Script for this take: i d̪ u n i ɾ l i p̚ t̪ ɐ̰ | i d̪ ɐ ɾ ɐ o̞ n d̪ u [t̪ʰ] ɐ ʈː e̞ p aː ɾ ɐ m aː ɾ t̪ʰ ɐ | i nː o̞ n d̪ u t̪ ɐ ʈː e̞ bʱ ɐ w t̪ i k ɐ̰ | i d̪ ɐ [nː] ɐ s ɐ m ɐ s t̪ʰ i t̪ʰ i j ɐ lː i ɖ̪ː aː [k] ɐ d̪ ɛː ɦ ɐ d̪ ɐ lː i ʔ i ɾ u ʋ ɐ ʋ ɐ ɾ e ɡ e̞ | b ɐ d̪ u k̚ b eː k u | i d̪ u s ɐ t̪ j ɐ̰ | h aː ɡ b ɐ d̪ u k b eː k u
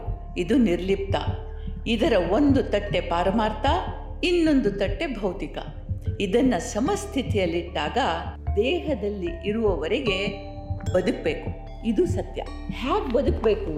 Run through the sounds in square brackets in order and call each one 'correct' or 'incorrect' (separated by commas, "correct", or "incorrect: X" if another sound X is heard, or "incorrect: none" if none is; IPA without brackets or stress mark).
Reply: incorrect: t̪, correct, incorrect: ɡ